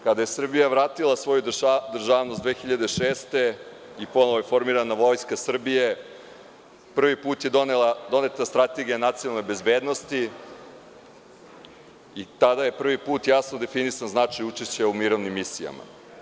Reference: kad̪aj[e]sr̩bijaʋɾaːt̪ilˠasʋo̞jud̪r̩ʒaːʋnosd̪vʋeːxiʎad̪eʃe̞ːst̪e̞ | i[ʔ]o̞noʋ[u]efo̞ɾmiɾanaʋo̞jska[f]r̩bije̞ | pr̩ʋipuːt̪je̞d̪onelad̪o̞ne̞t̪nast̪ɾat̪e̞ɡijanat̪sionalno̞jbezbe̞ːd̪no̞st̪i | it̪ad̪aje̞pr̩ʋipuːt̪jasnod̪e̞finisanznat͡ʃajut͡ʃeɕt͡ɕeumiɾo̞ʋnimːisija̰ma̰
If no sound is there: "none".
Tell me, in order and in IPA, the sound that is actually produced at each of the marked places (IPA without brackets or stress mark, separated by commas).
e, p, o, s